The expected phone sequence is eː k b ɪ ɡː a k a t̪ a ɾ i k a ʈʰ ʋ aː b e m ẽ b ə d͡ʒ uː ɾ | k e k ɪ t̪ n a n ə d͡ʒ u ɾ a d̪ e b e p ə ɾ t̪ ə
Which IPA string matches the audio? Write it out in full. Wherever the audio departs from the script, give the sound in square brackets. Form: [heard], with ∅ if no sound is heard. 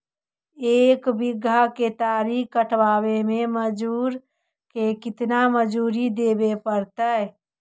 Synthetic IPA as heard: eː k b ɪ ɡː a k [e] t̪ a ɾ i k [ə] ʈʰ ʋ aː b e m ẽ [m] ə d͡ʒ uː ɾ | k e k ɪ t̪ n a [m] ə d͡ʒ u ɾ [i] d̪ e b e p ə ɾ t̪ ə